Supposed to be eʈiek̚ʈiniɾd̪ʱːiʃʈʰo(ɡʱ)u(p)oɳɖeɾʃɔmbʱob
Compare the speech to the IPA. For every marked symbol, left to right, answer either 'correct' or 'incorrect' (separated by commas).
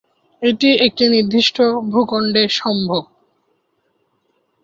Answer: incorrect, incorrect